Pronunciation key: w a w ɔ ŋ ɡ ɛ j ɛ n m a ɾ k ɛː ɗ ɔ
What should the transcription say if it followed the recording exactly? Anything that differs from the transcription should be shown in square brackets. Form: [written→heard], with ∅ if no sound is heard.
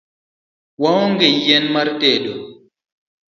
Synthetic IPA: w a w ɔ ŋ ɡ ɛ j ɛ n m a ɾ [k→t] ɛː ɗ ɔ

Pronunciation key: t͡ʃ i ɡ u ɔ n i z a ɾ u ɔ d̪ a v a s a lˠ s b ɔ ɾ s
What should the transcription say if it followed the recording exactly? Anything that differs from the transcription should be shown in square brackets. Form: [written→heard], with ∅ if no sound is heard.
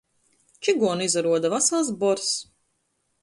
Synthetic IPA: t͡ʃ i ɡ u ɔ n i z a ɾ u ɔ d̪ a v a s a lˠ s b ɔ ɾ s

